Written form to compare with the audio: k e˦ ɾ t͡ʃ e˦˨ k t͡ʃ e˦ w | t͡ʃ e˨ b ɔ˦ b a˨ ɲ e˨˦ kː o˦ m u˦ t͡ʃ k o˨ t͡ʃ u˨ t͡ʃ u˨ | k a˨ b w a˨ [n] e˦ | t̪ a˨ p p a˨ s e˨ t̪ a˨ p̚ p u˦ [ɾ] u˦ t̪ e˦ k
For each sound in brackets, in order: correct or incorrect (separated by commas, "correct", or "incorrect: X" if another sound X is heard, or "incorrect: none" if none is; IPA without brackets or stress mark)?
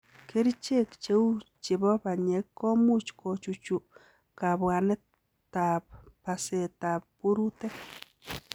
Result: correct, correct